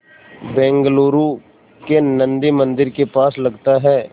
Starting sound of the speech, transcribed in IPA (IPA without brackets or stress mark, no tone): b